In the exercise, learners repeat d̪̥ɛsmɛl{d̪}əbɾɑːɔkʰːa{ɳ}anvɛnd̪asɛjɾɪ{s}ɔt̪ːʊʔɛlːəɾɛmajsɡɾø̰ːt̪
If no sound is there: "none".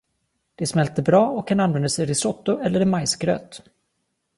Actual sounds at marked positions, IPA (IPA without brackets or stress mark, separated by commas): t̪, n, s